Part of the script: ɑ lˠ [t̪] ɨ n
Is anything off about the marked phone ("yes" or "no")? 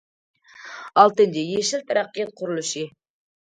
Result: no